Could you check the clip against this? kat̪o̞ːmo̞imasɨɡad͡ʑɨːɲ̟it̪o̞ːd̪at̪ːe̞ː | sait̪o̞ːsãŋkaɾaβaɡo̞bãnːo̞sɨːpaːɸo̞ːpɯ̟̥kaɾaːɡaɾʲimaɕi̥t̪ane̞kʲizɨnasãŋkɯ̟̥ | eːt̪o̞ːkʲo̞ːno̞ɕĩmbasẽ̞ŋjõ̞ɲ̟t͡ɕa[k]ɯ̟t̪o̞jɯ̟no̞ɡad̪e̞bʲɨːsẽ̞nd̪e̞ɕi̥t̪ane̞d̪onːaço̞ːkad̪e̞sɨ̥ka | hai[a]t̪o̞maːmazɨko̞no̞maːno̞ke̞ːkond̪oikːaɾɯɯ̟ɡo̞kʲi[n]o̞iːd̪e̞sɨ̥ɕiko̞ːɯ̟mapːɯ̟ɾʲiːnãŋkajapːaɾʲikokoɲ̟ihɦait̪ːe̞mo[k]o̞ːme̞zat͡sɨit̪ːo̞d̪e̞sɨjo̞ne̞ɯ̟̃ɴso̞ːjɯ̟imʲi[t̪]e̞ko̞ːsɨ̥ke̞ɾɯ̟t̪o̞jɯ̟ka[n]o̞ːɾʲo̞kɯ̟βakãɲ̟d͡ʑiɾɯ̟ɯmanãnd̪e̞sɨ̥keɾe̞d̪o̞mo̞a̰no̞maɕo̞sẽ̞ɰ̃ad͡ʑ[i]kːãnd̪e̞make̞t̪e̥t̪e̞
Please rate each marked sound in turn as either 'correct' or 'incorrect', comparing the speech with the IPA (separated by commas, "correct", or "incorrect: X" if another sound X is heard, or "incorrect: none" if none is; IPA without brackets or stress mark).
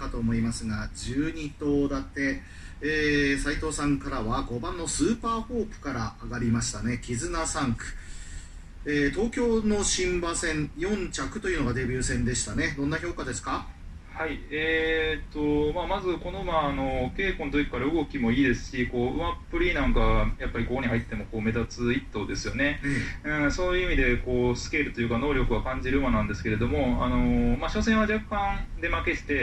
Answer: correct, incorrect: e, incorrect: m, correct, incorrect: d̪, correct, incorrect: a